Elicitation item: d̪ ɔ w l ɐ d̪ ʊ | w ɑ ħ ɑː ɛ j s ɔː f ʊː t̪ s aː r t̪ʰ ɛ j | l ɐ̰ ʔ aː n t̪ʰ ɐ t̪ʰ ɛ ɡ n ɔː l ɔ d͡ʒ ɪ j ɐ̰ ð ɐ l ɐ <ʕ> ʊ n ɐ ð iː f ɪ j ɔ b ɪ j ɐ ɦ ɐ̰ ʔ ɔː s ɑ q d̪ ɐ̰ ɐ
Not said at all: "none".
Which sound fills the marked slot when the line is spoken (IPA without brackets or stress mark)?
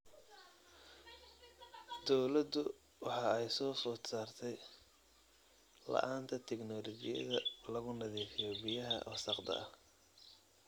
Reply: ɣ